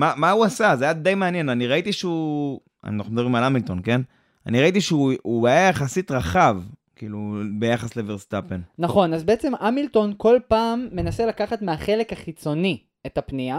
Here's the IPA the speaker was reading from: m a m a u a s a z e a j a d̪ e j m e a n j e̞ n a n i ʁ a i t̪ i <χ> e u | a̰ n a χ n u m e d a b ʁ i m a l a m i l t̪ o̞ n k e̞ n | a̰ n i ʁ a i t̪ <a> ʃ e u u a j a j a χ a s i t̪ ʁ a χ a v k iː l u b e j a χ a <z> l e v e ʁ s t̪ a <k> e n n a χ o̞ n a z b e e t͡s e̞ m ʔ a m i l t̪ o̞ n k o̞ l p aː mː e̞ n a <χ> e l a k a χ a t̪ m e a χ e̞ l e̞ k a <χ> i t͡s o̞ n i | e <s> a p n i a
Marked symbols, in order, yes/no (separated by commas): no, no, no, no, no, yes, no